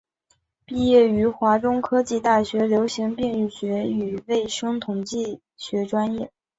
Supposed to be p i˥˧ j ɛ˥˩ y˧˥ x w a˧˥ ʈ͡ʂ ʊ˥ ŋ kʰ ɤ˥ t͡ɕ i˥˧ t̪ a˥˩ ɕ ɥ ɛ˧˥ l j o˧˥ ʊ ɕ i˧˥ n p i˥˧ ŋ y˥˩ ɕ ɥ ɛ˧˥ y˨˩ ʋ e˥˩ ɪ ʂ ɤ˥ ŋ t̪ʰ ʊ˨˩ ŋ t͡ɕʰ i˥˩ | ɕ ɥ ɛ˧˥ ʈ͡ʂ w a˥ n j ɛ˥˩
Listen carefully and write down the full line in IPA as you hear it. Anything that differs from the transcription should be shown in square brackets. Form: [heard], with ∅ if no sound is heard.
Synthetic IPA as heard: p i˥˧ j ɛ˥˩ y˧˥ x w a˧˥ ʈ͡ʂ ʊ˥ ŋ kʰ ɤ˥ t͡ɕ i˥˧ t̪ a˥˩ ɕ ɥ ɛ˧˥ l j o˧˥ ʊ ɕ i˧˥ [ŋ] p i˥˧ ŋ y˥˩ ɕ ɥ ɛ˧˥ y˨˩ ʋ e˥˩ ɪ ʂ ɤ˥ ŋ t̪ʰ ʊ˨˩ ŋ [t͡ɕ] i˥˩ | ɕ ɥ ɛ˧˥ ʈ͡ʂ w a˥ n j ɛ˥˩